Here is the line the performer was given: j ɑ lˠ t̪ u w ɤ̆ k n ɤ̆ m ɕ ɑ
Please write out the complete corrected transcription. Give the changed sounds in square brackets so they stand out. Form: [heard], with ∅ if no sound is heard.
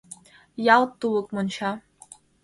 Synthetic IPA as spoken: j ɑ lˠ t̪ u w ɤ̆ k [m] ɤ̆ [n] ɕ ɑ